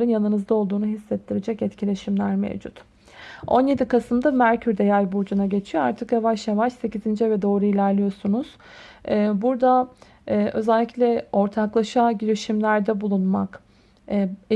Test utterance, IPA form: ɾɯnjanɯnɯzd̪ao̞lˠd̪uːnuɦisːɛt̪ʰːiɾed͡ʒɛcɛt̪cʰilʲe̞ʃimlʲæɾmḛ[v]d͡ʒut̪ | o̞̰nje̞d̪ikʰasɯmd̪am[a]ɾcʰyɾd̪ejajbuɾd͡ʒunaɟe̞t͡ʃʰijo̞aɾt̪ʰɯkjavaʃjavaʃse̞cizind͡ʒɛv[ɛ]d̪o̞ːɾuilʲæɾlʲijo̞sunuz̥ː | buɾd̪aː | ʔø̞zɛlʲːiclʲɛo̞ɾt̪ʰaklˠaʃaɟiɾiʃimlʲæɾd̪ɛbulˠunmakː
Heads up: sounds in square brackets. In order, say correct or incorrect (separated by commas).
correct, incorrect, correct